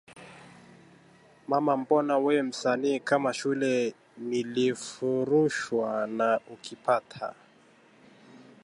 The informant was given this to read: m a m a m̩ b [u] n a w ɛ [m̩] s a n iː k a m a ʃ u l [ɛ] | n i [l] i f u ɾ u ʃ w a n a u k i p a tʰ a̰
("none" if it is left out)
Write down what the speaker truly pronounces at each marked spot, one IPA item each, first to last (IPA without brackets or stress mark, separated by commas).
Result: ɔ, m̩, ɛ, l